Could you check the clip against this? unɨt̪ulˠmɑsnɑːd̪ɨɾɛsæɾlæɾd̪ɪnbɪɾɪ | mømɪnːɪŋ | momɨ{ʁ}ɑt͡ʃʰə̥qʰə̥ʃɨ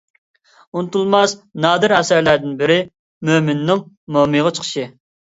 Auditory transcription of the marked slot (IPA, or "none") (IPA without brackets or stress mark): ʁ